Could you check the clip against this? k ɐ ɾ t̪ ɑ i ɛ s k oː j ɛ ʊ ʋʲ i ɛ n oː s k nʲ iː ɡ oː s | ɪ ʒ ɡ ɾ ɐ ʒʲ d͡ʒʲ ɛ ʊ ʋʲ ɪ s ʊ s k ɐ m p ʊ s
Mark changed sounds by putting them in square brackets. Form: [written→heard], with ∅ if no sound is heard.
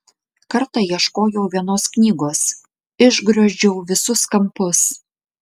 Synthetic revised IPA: k ɐ ɾ t̪ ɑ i ɛ [s→ʃ] k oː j ɛ ʊ ʋʲ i ɛ n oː s k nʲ iː ɡ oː s | ɪ ʒ ɡ ɾ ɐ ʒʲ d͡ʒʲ ɛ ʊ ʋʲ ɪ s ʊ s k ɐ m p ʊ s